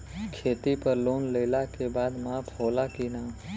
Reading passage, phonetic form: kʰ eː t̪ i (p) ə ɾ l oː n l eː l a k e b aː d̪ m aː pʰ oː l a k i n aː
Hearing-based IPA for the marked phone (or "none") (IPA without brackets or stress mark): p